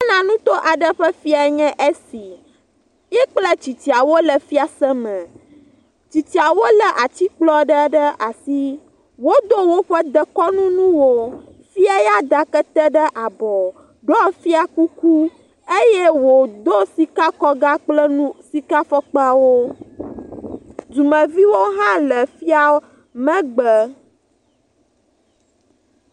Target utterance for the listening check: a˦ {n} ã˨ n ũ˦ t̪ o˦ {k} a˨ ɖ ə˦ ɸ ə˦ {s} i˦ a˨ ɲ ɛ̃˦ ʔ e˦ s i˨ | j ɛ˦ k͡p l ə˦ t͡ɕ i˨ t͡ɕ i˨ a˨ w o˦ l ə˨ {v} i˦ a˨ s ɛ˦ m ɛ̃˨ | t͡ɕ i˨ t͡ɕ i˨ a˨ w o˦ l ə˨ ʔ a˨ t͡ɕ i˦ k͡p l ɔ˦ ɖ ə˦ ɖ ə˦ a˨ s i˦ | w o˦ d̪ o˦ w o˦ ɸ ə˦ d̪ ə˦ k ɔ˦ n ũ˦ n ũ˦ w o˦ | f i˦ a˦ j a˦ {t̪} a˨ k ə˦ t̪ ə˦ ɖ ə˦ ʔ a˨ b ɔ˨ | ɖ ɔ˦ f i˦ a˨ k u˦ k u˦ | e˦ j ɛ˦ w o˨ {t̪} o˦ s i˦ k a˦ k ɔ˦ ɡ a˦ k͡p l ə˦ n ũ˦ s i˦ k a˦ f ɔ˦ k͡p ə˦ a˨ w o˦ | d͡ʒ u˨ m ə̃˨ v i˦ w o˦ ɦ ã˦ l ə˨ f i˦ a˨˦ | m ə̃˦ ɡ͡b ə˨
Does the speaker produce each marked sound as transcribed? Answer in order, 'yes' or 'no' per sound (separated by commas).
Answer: yes, no, no, no, no, no